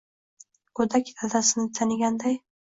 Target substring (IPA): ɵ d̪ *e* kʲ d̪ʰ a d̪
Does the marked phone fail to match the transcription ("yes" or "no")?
yes